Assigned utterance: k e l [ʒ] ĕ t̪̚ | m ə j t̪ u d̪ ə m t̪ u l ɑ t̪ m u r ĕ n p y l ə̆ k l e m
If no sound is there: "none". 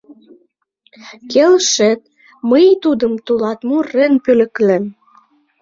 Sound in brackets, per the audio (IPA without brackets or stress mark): ʃ